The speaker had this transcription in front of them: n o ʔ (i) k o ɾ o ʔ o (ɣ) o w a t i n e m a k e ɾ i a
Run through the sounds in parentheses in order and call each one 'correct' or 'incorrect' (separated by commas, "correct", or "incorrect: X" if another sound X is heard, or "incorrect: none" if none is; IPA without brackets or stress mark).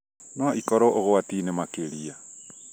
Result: correct, correct